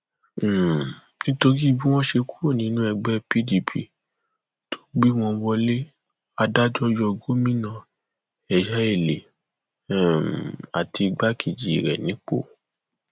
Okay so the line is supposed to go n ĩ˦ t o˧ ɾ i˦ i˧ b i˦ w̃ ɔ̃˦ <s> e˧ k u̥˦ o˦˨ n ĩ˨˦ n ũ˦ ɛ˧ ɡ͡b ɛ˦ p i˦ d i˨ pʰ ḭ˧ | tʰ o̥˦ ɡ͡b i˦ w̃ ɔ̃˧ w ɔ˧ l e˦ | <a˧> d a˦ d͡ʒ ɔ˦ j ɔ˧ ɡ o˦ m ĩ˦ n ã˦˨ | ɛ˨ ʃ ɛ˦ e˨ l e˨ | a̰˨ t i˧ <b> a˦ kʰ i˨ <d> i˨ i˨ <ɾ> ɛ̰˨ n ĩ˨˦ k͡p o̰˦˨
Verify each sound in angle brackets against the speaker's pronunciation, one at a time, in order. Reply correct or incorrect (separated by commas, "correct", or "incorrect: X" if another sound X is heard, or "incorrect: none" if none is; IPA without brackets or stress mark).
incorrect: ʃ, correct, incorrect: ɡ͡b, incorrect: d͡ʒ, correct